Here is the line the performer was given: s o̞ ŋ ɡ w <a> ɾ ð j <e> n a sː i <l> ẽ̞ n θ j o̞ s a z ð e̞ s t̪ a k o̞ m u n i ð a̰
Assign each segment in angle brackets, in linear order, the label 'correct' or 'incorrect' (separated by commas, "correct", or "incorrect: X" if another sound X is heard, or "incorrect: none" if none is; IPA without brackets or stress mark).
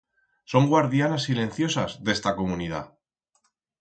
correct, incorrect: a, correct